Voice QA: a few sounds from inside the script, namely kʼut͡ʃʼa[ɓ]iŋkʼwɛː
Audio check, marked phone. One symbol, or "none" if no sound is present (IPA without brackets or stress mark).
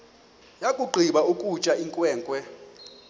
none